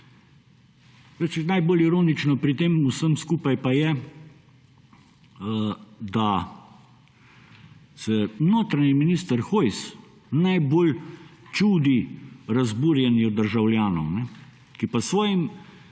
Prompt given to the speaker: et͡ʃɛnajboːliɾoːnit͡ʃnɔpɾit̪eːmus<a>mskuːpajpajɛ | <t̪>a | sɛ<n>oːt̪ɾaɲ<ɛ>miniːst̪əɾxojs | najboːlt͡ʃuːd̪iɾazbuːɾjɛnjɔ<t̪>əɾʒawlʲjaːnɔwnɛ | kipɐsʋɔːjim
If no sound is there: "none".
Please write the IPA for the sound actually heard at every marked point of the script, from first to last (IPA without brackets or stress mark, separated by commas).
ə, d̪, n, i, d̪